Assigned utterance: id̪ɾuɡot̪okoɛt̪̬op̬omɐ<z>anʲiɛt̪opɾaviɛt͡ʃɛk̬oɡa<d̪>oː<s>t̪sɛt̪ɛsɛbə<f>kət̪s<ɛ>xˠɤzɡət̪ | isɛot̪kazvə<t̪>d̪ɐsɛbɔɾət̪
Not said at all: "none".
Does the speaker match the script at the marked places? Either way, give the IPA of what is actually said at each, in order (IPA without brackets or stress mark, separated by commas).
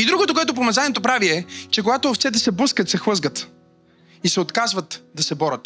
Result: z, t̪, f, s, ɛ, t̪